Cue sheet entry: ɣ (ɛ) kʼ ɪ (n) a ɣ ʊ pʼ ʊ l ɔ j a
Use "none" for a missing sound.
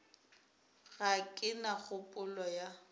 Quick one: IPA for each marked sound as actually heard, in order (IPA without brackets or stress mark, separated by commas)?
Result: a, n